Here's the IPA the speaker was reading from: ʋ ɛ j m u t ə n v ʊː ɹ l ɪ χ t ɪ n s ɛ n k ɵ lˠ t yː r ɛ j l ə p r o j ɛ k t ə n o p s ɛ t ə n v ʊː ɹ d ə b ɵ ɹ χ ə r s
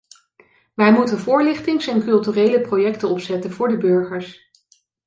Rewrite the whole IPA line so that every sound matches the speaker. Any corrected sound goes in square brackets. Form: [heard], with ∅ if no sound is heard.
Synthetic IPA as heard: ʋ ɛ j m u t ə n v ʊː ɹ l ɪ χ t ɪ [ŋ] s ɛ n k ɵ lˠ t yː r [e] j l ə p r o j ɛ k t ə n [ɔ] p s ɛ t ə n v ʊː ɹ d ə b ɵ ɹ χ ə [ɹ] s